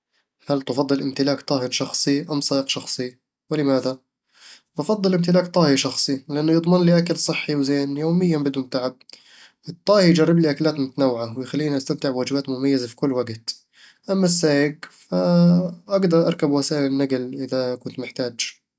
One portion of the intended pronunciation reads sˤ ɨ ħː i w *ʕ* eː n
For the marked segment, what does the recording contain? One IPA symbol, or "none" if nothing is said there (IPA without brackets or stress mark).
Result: z